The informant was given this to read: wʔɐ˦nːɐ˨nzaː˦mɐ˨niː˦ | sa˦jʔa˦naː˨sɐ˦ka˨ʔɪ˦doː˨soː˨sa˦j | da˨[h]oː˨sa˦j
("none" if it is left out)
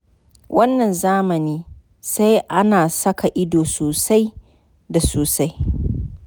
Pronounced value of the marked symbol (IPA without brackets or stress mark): s